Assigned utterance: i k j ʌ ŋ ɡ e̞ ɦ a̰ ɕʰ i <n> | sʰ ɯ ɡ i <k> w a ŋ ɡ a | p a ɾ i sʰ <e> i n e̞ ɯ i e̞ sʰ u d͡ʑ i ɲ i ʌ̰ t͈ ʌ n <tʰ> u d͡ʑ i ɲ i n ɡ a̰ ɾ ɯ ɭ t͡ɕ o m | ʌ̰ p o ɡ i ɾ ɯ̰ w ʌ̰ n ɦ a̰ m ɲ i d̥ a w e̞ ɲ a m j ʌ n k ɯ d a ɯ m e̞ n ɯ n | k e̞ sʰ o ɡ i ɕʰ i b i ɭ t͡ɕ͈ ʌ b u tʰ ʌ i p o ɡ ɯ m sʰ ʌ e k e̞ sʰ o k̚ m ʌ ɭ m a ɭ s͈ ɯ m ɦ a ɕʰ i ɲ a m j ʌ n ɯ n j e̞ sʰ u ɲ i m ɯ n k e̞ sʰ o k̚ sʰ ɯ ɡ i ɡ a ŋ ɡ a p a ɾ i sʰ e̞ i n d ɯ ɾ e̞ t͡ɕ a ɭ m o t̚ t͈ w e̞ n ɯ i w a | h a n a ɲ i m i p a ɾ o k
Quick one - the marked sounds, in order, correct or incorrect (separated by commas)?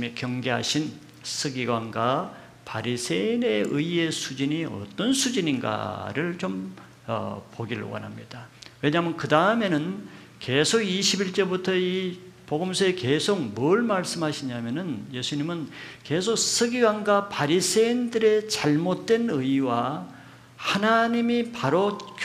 correct, incorrect, correct, incorrect